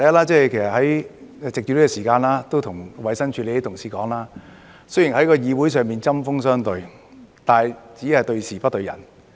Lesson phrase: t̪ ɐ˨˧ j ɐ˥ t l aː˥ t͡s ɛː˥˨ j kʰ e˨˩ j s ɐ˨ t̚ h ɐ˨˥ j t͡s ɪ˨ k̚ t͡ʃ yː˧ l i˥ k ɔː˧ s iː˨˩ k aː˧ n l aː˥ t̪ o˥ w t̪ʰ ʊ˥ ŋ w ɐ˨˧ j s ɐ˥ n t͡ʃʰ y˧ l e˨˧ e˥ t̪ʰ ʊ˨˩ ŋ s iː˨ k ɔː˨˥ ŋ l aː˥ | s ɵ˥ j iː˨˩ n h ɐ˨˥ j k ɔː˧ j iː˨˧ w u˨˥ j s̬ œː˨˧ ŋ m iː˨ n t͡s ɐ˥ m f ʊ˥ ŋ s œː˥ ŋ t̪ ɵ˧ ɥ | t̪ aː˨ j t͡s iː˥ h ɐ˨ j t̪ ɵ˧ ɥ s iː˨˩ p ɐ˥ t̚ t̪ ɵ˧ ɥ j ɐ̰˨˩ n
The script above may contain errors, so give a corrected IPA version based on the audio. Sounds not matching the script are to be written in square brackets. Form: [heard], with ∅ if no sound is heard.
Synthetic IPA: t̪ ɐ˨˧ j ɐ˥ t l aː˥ t͡s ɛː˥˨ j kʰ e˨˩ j s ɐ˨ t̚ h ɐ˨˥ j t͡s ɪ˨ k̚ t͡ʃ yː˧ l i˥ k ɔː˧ s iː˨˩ k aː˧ n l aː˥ t̪ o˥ w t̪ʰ [ʊ˨˩] ŋ w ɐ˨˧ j s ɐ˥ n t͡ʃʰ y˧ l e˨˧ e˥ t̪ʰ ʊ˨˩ ŋ s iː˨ k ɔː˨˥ ŋ l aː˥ | s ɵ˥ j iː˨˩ n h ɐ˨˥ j k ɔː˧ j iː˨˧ w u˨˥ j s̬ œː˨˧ ŋ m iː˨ n t͡s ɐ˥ m f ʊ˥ ŋ s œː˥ ŋ t̪ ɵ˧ ɥ | t̪ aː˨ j t͡s [iː˨˥] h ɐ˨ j t̪ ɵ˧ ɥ s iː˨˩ p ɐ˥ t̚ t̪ ɵ˧ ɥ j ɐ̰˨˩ n